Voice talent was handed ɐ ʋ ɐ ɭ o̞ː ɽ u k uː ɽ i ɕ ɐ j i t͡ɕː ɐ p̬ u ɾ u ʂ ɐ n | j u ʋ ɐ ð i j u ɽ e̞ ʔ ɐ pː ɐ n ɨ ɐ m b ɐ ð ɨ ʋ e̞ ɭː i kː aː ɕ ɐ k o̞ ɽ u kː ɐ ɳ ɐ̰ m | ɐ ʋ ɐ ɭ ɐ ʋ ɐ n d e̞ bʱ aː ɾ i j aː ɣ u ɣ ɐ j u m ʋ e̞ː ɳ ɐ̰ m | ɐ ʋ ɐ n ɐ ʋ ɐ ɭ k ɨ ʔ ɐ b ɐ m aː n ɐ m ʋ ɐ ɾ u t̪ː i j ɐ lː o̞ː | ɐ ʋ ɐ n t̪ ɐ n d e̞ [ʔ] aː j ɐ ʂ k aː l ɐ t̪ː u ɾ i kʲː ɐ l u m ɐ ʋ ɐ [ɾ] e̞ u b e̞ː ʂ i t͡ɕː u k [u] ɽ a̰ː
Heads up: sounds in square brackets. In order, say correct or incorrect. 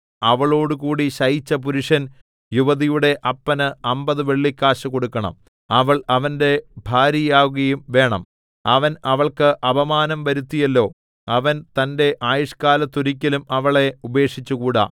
correct, incorrect: ɭ, incorrect: uː

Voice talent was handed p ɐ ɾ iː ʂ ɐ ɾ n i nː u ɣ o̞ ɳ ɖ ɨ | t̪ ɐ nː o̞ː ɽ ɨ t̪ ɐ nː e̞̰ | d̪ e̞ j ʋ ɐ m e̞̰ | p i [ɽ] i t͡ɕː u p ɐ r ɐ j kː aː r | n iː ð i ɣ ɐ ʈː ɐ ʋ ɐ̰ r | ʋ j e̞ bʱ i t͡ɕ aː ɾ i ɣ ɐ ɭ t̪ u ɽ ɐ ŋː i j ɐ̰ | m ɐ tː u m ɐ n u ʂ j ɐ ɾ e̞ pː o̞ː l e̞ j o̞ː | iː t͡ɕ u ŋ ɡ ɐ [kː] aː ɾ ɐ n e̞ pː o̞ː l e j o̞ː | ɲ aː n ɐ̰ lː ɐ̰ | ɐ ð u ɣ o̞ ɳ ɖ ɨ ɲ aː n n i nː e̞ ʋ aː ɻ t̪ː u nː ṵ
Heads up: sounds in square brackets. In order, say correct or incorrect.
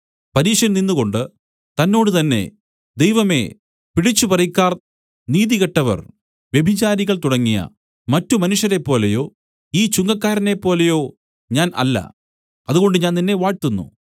correct, correct

